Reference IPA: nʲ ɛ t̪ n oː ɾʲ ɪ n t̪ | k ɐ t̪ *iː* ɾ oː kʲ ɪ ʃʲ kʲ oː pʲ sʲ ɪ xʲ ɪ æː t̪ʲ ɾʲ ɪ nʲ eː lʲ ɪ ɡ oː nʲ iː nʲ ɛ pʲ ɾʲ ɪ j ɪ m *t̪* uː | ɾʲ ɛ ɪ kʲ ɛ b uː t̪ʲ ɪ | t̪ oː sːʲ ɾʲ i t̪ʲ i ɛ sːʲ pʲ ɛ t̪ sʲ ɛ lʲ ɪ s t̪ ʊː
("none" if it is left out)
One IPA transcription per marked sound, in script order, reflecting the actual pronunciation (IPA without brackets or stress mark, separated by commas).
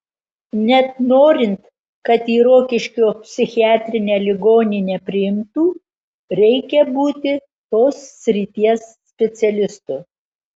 iː, t̪